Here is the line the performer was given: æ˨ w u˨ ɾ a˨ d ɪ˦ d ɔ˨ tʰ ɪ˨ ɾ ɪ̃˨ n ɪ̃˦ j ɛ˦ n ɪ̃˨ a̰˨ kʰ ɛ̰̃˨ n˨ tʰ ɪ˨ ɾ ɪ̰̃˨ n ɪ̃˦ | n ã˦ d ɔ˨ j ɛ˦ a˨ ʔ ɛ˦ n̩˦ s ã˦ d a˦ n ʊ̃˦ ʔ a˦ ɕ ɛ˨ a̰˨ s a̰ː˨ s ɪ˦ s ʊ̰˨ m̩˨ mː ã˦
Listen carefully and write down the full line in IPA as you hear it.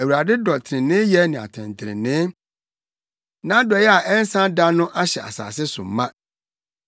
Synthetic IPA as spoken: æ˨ w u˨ ɾ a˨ d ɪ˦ d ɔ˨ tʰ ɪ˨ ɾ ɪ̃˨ n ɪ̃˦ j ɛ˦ n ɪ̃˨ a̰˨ tʰ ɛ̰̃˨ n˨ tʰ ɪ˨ ɾ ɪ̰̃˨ n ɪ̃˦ | n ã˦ d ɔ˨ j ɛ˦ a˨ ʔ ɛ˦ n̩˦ s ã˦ d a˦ n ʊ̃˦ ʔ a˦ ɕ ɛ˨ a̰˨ s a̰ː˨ s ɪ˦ s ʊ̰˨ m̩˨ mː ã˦